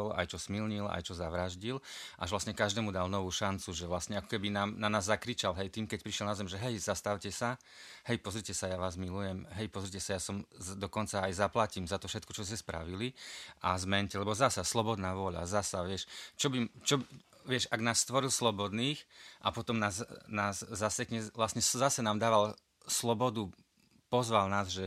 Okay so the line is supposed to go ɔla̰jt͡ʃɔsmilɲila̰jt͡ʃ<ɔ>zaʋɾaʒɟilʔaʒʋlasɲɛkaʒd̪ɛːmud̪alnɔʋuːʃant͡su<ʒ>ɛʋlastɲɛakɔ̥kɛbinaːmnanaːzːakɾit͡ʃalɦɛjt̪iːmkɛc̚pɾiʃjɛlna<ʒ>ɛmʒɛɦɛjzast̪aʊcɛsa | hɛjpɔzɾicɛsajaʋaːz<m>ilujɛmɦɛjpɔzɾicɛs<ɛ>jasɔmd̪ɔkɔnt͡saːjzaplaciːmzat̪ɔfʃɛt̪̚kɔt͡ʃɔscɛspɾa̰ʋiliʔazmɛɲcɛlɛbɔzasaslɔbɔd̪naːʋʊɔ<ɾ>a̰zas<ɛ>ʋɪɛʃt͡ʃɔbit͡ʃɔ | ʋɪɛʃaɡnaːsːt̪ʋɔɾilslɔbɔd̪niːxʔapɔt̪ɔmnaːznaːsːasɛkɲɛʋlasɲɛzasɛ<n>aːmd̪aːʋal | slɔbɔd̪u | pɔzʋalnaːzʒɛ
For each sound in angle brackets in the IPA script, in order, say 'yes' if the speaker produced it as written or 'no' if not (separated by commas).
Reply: yes, yes, no, yes, no, no, no, yes